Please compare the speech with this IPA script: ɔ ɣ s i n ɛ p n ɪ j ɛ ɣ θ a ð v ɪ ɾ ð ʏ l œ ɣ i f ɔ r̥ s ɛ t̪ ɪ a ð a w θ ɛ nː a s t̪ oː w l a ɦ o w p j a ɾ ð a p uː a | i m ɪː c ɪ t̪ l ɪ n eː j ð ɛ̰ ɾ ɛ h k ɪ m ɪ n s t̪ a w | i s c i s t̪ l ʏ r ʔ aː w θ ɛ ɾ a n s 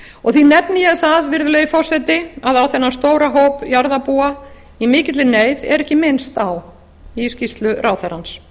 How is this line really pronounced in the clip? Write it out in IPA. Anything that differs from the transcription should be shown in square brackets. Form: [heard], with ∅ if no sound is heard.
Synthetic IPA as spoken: ɔ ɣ [θ] i n ɛ p n ɪ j ɛ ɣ θ a ð v ɪ ɾ ð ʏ l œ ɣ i f ɔ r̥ s ɛ t̪ ɪ a ð a w θ ɛ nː a s t̪ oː w [ɾ] a ɦ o w p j a ɾ ð a p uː a | i m ɪː c ɪ t̪ l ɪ n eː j ð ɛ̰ ɾ ɛ h [c] ɪ m ɪ n s t̪ a w | i s c i s t̪ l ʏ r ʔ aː w θ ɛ ɾ a n s